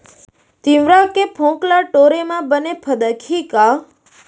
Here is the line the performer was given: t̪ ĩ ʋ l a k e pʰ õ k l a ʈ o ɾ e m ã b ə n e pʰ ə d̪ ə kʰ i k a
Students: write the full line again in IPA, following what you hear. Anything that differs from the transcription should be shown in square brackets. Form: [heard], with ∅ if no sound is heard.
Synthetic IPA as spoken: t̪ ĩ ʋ [ɾ] a k e pʰ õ k l a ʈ o ɾ e m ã b ə n e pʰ ə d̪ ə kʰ i k a